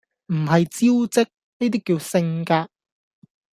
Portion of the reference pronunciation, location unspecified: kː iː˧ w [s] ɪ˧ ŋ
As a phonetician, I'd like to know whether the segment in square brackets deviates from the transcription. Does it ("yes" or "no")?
no